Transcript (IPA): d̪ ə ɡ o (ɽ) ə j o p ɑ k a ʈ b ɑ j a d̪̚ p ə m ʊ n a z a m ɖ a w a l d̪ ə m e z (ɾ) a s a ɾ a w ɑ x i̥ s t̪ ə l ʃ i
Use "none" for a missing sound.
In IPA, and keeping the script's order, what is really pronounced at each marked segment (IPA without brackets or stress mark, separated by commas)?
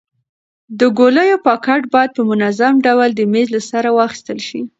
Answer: l, l